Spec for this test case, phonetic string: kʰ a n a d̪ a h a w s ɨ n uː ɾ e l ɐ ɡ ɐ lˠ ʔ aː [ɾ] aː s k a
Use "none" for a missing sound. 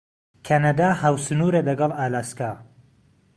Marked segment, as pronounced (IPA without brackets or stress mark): l